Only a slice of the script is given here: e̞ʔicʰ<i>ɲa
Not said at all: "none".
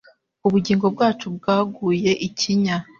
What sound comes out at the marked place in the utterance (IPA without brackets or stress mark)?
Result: i